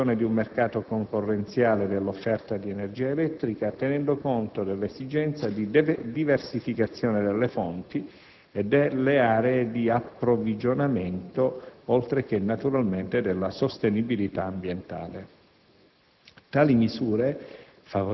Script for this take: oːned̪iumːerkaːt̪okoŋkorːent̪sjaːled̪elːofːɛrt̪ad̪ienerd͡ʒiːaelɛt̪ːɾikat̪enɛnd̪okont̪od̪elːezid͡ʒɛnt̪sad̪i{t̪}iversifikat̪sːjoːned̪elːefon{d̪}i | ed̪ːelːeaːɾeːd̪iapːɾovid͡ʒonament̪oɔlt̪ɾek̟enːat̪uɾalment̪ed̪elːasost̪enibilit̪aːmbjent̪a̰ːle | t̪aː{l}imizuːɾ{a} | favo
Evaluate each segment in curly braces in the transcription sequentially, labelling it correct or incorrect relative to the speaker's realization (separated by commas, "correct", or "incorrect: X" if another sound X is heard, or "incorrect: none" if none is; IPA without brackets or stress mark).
incorrect: d̪, incorrect: t̪, correct, incorrect: e